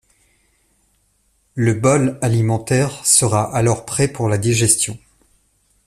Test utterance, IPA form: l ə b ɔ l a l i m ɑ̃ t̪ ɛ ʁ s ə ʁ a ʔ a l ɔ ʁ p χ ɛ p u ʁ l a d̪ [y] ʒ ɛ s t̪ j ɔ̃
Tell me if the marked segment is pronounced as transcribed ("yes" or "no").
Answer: no